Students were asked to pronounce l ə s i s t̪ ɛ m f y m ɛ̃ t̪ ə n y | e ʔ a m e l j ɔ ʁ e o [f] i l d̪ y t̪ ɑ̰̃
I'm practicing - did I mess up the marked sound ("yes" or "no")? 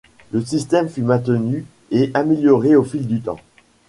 no